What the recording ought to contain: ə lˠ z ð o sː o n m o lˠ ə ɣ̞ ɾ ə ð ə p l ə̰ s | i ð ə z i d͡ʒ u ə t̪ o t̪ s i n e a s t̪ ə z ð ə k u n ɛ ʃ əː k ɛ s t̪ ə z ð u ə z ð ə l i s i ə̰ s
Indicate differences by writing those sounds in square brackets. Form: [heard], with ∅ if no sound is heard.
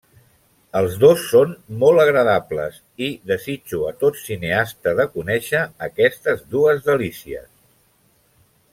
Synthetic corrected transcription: ə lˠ z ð o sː o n m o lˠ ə ɣ̞ ɾ ə ð [a] p l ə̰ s | i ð ə z i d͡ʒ u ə t̪ o t̪ s i n e a s t̪ ə [∅] ð ə k u n ɛ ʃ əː k ɛ s t̪ ə z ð u ə z ð ə l i s i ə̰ s